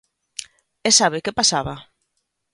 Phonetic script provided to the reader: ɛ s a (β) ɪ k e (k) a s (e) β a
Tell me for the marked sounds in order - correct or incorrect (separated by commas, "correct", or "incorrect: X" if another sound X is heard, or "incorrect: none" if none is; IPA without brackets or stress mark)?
correct, incorrect: p, incorrect: a